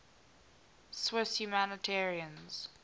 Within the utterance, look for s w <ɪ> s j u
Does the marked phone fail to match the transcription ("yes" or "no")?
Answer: no